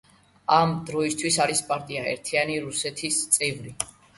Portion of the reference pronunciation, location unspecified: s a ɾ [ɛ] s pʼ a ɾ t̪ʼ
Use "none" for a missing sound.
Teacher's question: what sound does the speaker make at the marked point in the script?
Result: i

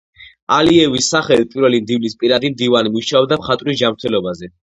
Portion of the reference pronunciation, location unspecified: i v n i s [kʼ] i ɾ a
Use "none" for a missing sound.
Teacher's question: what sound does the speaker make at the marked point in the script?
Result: pʼ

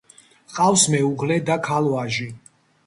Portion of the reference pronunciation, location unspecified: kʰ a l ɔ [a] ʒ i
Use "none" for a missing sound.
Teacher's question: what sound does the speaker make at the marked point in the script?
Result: a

